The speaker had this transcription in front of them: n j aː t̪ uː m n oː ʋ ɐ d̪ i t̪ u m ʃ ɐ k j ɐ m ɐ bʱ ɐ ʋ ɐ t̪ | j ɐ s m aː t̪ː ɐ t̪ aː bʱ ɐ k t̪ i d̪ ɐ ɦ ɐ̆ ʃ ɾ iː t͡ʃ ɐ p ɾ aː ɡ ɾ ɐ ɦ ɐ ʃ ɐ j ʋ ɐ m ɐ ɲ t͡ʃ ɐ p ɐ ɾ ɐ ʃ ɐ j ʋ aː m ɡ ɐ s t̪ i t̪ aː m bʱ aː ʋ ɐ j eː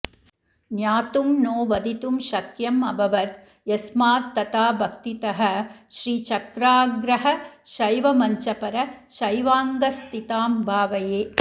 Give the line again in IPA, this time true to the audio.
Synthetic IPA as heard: n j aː t̪ u m n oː ʋ ɐ d̪ i t̪ u m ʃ ɐ k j ɐ m ɐ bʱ ɐ ʋ ɐ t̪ | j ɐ s m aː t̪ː ɐ t̪ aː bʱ ɐ k t̪ i t̪ ɐ ɦ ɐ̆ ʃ ɾ iː t͡ʃ ɐ k ɾ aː ɡ ɾ ɐ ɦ ɐ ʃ ɐ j ʋ ɐ m ɐ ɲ t͡ʃ ɐ p ɐ ɾ ɐ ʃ ɐ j ʋ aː ŋ ɡ ɐ s t̪ i t̪ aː m bʱ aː ʋ ɐ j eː